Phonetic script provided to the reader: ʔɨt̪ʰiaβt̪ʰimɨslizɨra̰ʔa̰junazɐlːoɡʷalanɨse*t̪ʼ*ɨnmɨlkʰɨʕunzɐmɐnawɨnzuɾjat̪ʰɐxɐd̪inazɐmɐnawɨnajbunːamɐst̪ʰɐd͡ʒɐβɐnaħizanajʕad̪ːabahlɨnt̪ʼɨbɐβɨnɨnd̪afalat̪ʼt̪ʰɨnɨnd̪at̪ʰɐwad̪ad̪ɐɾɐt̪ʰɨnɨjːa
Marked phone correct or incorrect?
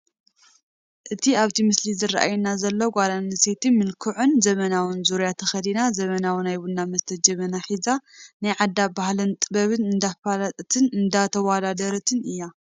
incorrect